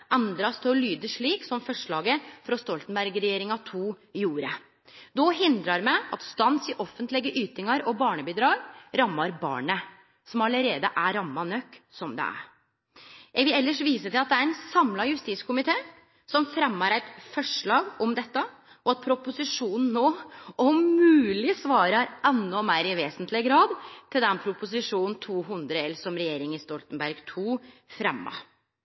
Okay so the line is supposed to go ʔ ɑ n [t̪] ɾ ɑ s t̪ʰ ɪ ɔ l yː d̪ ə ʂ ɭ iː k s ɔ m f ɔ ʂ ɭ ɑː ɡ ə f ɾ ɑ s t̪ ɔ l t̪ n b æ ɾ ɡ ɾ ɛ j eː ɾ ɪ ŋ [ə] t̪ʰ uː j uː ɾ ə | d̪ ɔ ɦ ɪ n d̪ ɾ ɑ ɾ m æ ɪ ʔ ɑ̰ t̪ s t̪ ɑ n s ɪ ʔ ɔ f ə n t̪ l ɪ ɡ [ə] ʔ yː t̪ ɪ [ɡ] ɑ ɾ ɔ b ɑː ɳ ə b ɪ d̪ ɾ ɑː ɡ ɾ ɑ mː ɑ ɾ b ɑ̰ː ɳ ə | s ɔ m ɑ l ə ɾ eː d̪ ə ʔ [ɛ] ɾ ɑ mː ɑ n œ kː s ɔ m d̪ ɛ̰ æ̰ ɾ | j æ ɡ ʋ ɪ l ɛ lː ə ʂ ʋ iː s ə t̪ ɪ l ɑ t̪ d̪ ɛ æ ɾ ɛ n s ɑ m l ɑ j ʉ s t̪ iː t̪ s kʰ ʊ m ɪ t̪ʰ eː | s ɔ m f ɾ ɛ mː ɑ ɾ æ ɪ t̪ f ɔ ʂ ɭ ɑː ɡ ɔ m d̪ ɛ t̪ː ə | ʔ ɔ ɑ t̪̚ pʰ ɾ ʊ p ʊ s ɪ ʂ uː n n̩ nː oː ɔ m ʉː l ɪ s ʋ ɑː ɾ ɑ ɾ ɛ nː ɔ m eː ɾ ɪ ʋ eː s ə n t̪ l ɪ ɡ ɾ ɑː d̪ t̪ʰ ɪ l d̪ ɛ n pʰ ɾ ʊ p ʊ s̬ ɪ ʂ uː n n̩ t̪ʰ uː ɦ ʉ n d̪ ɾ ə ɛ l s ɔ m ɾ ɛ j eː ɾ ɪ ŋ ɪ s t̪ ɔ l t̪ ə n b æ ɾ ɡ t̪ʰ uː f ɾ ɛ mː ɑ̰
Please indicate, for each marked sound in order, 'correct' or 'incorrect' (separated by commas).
incorrect, incorrect, correct, incorrect, incorrect